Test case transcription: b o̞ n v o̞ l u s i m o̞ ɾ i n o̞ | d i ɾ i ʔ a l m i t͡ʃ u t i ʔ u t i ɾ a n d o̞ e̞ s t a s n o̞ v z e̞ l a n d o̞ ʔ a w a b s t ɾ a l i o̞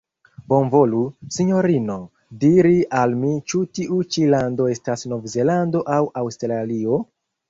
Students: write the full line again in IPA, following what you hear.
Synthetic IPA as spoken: b o̞ n v o̞ l u s i ɲ o̞ ɾ i n o̞ | d i ɾ i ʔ a l m i t͡ʃ u t i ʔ u t͡ʃ i l a n d o̞ e̞ s t a s n o̞ v z e̞ l a n d o̞ ʔ a w a w s t ɾ a l i o̞